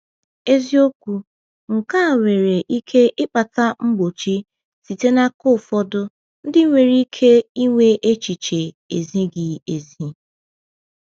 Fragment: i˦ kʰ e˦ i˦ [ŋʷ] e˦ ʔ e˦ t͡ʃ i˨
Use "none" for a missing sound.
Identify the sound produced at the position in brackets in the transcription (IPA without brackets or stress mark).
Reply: ŋʷ